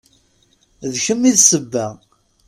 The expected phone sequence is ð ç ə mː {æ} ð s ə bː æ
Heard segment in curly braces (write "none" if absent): i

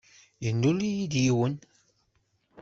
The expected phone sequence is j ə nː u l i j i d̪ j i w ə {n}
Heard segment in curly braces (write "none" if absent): n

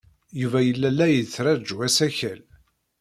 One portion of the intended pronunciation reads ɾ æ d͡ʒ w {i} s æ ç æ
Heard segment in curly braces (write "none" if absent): æ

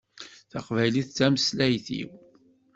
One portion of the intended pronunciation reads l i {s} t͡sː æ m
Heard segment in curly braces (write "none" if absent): θ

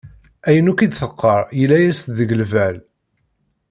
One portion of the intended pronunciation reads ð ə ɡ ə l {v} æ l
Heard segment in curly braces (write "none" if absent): v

